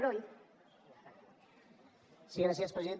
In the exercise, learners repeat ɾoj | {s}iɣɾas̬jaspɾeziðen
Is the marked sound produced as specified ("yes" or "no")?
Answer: yes